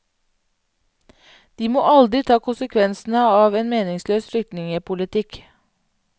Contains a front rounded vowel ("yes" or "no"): yes